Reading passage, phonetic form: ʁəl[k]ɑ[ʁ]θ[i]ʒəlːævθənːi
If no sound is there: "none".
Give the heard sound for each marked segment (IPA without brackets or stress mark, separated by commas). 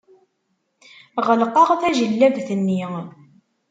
q, ʁ, æ